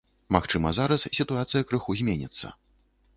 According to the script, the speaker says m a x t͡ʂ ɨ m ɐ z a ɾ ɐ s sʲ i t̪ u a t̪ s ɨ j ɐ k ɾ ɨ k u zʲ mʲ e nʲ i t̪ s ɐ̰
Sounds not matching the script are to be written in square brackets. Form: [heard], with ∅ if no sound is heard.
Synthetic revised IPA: m a x t͡ʂ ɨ m ɐ z a ɾ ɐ s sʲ i t̪ u a t̪ s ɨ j ɐ k ɾ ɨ [x] u zʲ mʲ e nʲ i t̪ [sː] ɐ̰